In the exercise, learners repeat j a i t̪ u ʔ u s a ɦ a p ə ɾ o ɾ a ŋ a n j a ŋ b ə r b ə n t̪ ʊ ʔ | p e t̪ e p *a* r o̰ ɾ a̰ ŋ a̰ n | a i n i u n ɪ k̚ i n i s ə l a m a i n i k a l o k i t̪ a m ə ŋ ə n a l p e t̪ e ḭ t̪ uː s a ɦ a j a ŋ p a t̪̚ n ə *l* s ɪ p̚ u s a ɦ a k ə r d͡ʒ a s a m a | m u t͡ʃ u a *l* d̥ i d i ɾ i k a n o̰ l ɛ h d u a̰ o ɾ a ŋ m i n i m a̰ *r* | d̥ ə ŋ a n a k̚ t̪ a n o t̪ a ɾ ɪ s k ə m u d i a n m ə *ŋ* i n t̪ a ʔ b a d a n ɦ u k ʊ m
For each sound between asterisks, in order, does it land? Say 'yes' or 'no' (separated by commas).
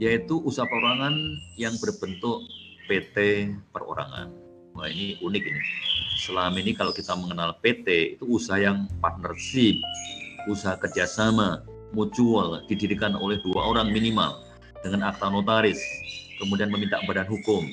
no, no, yes, no, no